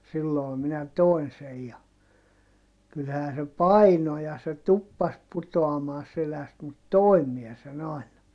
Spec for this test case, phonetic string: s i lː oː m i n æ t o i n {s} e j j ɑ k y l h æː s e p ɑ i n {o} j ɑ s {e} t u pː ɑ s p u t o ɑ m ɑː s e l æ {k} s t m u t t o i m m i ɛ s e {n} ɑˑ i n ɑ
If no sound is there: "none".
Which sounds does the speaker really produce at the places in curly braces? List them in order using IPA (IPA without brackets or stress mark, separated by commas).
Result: s, o, e, none, n